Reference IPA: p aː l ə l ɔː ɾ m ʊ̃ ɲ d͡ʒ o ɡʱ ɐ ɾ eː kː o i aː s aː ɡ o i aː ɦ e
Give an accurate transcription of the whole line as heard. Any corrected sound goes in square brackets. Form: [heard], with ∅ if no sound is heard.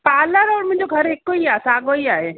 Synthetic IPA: p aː l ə [ɾ] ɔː ɾ m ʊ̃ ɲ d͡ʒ o ɡʱ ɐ ɾ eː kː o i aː s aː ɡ o i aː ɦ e